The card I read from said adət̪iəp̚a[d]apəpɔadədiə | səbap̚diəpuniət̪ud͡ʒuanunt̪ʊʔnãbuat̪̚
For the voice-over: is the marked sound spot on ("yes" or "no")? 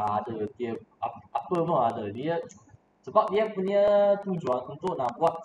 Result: no